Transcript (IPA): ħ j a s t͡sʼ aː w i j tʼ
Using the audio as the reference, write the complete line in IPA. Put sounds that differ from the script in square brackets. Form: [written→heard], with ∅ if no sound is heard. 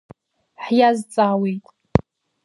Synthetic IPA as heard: ħ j a [s→z] t͡sʼ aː w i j tʼ